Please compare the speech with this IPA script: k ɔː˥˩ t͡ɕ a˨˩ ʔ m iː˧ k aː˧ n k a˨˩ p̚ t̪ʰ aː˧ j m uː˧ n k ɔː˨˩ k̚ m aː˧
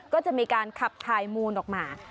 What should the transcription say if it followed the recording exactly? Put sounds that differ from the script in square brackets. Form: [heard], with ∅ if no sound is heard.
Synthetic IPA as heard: k ɔː˥˩ t͡ɕ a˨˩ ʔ m iː˧ k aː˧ n [kʰ] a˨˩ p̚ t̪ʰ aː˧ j m uː˧ n [ʔ] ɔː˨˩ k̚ m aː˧